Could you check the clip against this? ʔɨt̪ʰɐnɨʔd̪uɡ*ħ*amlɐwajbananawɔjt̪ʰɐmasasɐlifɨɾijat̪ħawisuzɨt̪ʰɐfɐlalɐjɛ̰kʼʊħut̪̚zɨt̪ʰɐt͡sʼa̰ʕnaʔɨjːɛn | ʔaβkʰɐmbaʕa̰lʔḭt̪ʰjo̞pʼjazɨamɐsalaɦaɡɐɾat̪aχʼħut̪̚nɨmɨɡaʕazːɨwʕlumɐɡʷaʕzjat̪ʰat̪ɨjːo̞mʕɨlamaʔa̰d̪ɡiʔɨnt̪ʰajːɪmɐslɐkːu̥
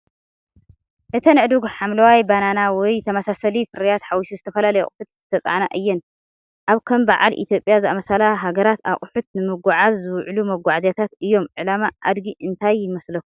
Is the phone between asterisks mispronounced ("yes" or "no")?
no